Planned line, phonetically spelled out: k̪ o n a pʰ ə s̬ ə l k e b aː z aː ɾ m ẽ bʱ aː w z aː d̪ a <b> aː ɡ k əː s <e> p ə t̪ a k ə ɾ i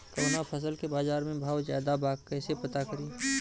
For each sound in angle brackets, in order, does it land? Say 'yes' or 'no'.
yes, yes

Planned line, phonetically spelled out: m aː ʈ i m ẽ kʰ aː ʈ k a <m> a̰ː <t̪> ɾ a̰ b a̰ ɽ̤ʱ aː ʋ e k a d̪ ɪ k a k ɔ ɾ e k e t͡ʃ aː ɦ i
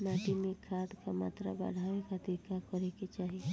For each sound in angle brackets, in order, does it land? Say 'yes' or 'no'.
yes, yes

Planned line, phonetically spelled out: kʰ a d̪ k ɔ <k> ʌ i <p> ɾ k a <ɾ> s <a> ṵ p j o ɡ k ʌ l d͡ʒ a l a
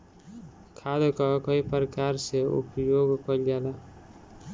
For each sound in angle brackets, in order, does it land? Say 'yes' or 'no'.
yes, yes, yes, no

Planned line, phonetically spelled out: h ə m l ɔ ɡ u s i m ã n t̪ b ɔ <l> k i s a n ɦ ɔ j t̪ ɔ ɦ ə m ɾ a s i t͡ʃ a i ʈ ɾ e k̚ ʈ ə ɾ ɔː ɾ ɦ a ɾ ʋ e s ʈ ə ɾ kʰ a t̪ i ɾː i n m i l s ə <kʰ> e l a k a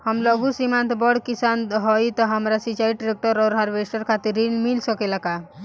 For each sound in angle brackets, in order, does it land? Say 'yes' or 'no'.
no, no

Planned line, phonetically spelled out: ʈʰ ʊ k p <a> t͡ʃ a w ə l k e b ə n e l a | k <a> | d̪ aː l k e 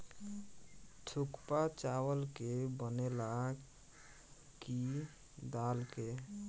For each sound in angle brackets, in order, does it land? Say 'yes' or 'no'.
yes, no

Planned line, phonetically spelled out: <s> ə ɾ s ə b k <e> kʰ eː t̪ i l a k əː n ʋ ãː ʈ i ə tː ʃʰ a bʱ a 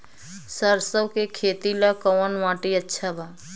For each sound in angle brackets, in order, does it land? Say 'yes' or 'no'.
yes, yes

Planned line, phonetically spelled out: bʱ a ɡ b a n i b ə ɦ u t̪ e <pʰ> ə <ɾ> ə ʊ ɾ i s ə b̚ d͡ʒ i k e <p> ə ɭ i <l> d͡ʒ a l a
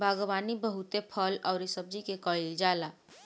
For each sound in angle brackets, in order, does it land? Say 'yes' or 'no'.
yes, no, no, yes

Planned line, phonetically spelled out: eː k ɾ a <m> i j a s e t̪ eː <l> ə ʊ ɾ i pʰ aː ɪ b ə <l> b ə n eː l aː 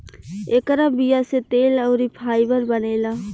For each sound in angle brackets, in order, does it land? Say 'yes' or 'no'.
no, yes, no

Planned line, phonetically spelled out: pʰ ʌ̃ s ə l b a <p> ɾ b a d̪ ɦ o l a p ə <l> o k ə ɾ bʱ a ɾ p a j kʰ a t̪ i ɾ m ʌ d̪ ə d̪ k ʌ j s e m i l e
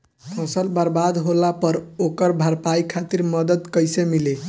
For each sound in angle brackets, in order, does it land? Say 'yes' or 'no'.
no, no

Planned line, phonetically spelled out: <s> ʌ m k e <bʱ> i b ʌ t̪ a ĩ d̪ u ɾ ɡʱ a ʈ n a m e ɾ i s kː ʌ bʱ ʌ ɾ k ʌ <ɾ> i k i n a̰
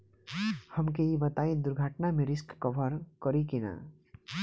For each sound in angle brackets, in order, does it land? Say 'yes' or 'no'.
no, no, yes

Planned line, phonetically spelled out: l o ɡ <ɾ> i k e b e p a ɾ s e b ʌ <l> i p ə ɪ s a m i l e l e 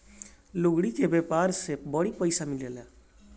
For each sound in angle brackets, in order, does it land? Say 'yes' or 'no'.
no, no

